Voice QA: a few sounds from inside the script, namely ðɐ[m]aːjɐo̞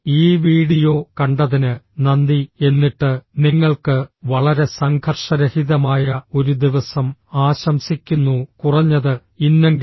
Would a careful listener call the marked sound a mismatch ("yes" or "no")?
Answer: no